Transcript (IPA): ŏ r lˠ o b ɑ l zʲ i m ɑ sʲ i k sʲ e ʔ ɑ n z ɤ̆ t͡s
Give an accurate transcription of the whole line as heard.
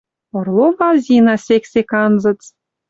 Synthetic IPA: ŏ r lˠ o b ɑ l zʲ i n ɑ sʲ e k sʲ e k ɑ n z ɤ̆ t͡s